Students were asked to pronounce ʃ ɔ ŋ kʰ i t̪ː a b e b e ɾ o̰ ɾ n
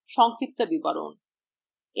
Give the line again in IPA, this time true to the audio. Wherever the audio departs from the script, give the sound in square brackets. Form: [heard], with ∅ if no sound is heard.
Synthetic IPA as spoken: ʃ ɔ ŋ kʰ i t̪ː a b [i] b [a] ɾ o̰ [∅] n